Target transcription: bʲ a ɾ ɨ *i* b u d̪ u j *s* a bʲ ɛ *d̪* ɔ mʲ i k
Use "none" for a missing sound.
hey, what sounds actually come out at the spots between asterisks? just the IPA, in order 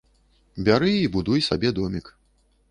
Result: i, s, d̪

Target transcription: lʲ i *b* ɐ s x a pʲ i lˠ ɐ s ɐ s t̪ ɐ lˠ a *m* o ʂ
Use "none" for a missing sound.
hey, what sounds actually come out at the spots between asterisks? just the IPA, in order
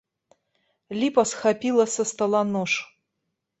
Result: p, n

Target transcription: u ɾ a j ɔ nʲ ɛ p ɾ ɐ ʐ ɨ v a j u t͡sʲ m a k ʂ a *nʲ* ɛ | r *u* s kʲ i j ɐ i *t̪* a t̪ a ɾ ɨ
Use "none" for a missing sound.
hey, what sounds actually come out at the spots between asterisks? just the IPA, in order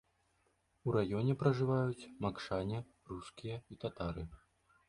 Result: nʲ, u, t̪

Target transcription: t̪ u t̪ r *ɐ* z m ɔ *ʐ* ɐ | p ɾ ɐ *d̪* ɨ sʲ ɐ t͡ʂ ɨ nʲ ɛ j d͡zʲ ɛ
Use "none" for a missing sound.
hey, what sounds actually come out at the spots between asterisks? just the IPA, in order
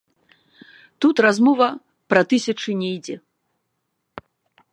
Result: a, v, t̪

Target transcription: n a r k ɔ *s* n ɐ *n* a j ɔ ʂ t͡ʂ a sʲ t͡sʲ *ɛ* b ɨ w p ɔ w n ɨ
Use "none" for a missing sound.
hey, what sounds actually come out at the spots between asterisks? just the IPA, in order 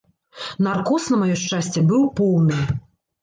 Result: s, m, ɛ

